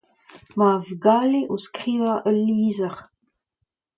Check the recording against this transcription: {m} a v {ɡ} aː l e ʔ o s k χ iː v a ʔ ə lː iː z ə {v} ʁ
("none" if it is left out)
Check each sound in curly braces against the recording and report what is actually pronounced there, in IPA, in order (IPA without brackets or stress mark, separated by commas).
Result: m, ɡ, none